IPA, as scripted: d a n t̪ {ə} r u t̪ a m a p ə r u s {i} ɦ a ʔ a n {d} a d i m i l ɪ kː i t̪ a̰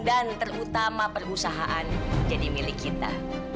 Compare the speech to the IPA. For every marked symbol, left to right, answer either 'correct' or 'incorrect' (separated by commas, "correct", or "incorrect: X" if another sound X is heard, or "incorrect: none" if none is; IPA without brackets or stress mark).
correct, incorrect: a, incorrect: d͡ʒ